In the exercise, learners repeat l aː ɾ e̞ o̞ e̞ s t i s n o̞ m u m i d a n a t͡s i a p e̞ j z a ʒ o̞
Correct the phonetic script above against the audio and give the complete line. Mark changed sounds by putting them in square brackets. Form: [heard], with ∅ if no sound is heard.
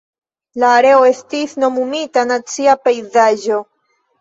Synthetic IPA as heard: l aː ɾ e̞ o̞ e̞ s t i s n o̞ m u m i [t] a n a t͡s i a p e̞ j z a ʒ o̞